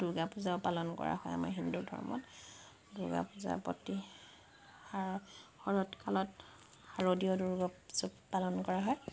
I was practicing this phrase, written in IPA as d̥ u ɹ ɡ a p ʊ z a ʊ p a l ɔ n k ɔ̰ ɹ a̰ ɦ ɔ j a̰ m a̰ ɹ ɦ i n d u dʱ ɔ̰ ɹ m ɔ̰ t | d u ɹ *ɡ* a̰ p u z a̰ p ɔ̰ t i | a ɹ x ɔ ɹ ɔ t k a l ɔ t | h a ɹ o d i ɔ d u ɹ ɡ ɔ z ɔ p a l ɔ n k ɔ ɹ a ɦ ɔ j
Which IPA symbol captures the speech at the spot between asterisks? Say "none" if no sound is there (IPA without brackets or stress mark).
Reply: ɡ